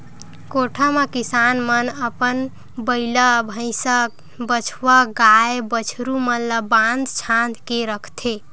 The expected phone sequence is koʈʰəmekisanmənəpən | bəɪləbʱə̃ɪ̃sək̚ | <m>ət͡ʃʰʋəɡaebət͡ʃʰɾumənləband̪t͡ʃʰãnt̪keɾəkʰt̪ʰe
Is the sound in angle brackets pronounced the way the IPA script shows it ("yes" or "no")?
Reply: no